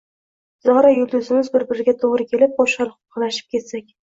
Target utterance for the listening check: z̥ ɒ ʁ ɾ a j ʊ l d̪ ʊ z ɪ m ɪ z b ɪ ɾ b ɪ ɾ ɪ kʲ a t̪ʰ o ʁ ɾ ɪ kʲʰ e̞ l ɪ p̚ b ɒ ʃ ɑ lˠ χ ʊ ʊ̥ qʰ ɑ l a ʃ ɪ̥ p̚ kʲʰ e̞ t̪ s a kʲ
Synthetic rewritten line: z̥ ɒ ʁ ɾ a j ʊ l d̪ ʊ z ɪ m ɪ z b ɪ ɾ b ɪ ɾ ɪ ɡʲ a t̪ʰ o ʁ ɾ ɪ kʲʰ e̞ l ɪ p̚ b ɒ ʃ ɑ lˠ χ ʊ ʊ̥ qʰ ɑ l a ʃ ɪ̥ p̚ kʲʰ e̞ t̪ s a kʲ